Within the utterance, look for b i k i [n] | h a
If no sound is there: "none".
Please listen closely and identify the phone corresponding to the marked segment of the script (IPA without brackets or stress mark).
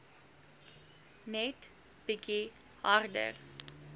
none